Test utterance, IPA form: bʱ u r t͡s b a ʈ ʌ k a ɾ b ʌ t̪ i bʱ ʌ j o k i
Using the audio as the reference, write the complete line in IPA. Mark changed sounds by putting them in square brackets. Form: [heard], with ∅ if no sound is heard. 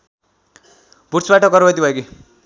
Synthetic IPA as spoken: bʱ u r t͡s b a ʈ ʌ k [ʌ] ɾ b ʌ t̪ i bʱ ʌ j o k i